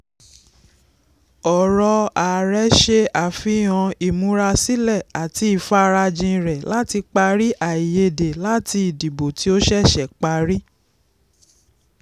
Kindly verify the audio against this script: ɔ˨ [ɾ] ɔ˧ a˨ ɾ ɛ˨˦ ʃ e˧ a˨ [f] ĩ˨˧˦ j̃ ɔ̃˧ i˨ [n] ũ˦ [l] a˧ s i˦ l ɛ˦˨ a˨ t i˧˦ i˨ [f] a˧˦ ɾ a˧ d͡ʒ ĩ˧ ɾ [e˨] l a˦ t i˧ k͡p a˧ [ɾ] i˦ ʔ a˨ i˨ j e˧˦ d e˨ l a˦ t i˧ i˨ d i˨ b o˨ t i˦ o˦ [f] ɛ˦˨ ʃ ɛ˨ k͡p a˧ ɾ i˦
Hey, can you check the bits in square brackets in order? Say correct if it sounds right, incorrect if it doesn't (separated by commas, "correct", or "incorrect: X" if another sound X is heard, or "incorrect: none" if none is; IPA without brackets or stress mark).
correct, correct, incorrect: m, incorrect: ɾ, correct, incorrect: ɛ˨, correct, incorrect: ʃ